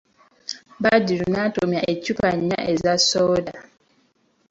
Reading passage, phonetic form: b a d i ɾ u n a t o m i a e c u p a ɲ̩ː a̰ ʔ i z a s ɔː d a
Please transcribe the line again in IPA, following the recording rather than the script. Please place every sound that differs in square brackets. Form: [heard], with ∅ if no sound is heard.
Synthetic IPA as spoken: b a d i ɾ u n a t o m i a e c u p a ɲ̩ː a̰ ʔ [e] z a s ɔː d a